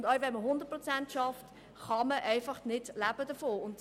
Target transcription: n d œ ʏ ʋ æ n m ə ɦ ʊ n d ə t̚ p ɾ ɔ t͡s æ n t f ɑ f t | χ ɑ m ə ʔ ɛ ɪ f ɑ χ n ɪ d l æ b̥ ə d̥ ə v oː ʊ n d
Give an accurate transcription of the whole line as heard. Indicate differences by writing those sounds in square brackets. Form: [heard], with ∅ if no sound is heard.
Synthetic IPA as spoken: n d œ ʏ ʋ [ɛ] n m ə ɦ ʊ n d ə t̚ p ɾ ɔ t͡s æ n t [ʃ] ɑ f t | χ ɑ m ə ʔ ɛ ɪ f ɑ χ n ɪ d l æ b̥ ə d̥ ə [f] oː ʊ n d